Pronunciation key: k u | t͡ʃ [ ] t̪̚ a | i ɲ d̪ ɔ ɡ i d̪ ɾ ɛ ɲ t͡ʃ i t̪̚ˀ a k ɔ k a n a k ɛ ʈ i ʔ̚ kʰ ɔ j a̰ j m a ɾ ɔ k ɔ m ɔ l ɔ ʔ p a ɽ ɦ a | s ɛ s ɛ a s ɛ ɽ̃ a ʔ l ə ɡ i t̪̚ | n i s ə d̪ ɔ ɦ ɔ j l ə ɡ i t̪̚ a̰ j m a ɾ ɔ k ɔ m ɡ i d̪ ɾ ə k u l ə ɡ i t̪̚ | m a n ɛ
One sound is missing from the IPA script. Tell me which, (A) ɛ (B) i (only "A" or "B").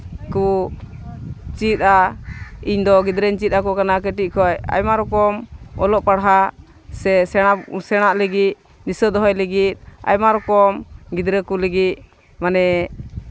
B